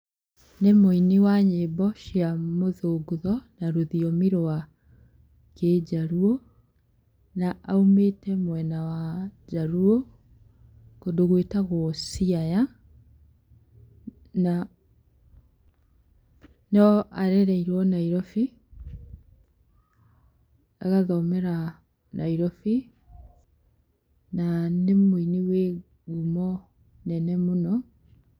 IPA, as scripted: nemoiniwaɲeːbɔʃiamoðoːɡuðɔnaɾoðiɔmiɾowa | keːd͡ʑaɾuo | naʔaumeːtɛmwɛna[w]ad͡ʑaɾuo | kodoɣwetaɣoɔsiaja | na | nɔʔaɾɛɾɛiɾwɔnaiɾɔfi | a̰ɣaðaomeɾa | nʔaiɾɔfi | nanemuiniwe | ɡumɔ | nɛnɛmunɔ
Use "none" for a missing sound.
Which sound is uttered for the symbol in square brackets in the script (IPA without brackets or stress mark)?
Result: w